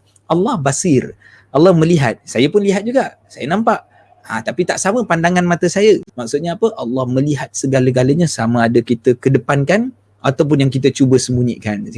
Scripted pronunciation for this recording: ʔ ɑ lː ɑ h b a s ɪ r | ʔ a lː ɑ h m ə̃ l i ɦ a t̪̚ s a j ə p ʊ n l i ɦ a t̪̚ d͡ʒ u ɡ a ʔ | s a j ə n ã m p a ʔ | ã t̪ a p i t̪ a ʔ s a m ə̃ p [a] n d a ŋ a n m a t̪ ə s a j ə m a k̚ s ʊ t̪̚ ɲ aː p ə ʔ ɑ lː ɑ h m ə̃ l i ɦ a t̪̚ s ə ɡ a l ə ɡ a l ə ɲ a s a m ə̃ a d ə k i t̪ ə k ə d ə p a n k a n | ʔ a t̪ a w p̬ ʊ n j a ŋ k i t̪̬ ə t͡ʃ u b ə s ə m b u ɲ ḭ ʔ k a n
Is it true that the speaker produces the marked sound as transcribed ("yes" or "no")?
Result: yes